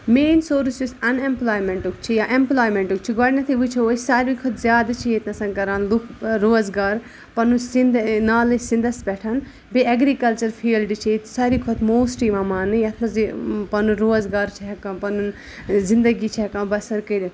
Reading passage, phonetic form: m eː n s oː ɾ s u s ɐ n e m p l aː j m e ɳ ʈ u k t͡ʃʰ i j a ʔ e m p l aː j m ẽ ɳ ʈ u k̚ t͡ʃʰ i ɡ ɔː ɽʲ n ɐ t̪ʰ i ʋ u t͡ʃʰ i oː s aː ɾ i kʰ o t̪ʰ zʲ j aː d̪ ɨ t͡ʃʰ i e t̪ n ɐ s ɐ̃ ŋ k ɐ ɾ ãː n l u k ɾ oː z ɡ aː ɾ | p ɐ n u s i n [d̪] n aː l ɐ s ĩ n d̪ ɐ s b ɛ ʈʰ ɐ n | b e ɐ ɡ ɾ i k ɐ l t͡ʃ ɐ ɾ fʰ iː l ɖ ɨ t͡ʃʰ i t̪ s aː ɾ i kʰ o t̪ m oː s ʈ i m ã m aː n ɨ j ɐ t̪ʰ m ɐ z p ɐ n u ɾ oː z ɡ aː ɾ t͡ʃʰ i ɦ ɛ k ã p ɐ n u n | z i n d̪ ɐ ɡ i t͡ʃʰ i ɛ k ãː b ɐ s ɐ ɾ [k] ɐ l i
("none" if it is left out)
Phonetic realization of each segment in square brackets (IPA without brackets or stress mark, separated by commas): d̪, k